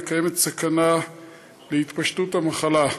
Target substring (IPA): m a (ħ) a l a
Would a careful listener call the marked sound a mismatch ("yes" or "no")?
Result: yes